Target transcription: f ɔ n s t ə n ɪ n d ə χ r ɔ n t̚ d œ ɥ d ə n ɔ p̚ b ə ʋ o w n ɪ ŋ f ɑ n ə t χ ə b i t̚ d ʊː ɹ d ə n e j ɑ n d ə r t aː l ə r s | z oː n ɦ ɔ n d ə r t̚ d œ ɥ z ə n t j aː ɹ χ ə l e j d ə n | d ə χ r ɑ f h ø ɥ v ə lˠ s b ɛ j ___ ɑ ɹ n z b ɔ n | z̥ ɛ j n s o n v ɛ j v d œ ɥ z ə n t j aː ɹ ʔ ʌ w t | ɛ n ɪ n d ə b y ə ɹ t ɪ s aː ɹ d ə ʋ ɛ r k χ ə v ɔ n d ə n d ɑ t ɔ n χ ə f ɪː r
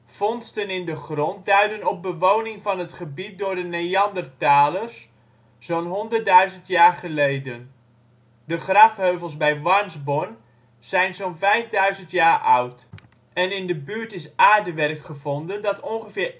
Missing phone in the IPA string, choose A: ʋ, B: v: A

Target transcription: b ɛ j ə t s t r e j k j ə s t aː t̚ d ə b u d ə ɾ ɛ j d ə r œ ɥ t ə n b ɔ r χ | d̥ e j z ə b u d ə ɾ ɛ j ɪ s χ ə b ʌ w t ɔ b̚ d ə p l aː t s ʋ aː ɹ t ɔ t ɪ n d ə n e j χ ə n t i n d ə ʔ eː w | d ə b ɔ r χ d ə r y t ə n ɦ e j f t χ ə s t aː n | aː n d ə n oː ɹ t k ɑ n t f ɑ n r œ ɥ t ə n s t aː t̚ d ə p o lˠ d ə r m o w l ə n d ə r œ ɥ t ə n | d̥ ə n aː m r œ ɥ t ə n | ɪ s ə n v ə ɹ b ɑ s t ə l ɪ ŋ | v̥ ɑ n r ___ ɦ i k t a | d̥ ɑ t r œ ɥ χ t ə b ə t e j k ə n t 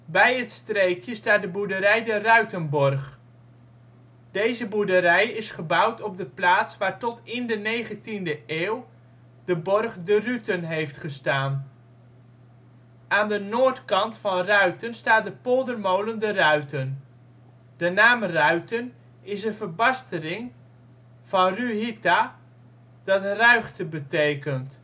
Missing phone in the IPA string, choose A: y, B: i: A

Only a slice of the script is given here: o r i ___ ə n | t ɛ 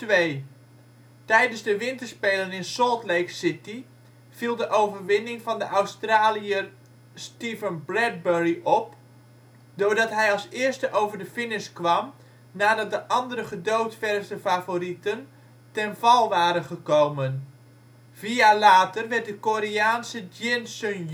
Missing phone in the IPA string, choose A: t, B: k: A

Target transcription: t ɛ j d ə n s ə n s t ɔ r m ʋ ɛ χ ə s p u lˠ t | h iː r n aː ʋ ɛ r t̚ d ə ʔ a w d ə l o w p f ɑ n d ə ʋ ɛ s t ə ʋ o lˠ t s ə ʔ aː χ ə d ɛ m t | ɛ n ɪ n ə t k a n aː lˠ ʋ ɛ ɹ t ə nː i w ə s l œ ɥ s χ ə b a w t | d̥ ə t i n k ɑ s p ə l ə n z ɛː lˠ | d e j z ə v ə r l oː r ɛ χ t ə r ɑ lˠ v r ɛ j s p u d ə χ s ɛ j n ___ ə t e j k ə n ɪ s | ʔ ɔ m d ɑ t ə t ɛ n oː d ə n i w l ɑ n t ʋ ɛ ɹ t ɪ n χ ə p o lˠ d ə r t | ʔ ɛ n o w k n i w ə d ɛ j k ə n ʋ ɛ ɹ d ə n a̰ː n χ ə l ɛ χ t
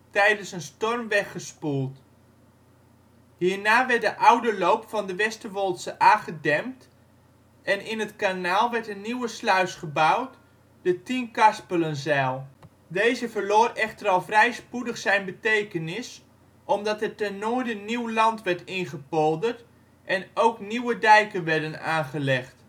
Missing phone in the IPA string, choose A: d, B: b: B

